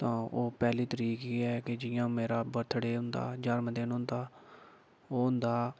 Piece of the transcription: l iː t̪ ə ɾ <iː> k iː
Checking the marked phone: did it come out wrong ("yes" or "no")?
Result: no